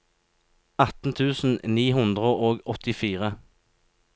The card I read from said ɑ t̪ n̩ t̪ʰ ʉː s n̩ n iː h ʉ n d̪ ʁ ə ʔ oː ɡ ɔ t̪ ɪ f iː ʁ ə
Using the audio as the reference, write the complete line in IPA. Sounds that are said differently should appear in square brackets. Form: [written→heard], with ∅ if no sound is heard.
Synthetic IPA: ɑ t̪ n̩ t̪ʰ ʉː s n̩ n iː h ʉ n d̪ ʁ ə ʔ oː ɡ ɔ t̪ ɪ f iː ʁ ə